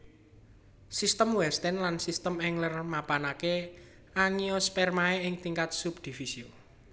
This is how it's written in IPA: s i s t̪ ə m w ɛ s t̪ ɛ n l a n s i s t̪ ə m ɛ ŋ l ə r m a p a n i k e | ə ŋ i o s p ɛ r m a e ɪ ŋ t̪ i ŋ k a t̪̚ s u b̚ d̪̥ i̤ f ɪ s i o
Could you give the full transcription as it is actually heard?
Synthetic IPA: s i s t̪ ə m w ɛ s t̪ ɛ n l a n s i s t̪ ə m ɛ ŋ l ə r m a p a n a k e | a ŋ i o s p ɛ r m a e ɪ ŋ t̪ i ŋ k a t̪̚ s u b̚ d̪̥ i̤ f i s i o